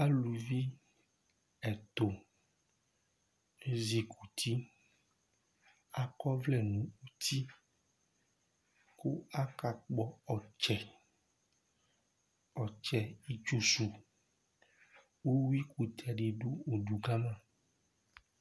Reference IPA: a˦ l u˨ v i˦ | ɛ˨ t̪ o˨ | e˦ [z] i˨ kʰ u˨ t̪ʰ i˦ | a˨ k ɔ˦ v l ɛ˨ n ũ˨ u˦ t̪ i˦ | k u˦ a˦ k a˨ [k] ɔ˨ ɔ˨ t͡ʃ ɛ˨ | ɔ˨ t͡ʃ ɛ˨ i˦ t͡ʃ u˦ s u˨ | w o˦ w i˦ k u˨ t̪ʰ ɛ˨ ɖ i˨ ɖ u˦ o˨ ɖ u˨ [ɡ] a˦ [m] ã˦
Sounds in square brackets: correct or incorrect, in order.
correct, incorrect: k͡p, correct, correct

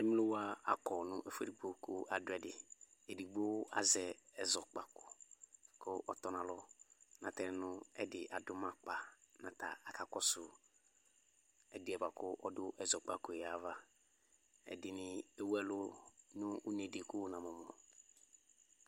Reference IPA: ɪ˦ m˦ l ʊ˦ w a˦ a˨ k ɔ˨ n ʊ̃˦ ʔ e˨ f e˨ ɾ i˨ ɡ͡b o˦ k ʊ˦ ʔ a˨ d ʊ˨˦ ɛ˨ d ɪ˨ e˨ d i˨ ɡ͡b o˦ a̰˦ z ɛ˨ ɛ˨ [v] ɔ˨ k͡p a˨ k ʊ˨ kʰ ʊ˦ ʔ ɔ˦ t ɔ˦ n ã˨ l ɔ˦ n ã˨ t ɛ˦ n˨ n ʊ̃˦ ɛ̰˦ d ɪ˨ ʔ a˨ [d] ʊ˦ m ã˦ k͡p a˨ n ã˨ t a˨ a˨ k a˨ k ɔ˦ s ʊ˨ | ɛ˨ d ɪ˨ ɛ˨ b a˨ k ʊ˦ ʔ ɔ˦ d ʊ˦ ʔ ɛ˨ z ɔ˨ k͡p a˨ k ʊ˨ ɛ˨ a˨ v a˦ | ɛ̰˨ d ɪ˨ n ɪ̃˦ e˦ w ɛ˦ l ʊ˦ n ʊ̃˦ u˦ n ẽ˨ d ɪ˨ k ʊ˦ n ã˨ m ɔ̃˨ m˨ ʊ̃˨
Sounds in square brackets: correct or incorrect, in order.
incorrect: z, correct

